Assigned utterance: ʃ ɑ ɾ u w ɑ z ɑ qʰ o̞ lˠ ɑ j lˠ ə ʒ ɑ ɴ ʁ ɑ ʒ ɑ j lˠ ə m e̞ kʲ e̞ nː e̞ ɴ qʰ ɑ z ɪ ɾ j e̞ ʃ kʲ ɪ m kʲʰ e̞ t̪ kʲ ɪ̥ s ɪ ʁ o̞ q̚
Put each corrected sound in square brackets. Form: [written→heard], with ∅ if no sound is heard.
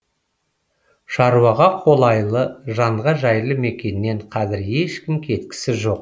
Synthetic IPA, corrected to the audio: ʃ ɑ ɾ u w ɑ [z→ʁ] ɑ qʰ o̞ lˠ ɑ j lˠ ə ʒ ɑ ɴ ʁ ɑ ʒ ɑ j lˠ ə m e̞ kʲ e̞ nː e̞ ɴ qʰ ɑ z ɪ ɾ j e̞ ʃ kʲ ɪ m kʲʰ e̞ t̪ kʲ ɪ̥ s ɪ [ʁ→ʒ] o̞ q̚